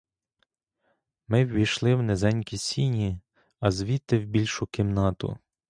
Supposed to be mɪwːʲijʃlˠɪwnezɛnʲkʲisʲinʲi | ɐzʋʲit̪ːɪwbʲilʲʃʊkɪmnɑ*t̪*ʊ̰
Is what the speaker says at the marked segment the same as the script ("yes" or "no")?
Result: yes